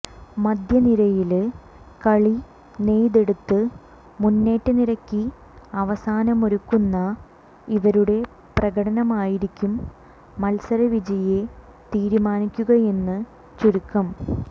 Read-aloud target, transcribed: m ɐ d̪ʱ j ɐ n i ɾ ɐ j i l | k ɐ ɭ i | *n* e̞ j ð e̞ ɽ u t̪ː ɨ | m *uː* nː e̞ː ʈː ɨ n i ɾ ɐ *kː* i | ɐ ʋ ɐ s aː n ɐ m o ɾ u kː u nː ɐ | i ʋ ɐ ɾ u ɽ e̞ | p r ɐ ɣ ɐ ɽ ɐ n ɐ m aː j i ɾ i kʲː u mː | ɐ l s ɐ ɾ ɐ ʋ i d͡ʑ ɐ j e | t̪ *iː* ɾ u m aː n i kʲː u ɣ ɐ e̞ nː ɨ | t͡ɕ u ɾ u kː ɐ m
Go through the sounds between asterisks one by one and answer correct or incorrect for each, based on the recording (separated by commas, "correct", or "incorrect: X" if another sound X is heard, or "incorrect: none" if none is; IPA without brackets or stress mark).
correct, incorrect: u, correct, correct